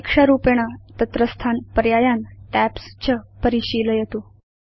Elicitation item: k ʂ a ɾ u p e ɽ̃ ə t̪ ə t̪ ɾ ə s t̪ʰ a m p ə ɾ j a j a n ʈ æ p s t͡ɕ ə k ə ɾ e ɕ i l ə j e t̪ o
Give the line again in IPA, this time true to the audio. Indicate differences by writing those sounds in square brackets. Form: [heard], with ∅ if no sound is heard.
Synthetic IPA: k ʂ a ɾ u p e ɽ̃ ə t̪ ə t̪ ɾ ə s t̪ʰ a [n] p ə ɾ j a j a n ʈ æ p s t͡ɕ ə [p] ə ɾ [i] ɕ i l ə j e t̪ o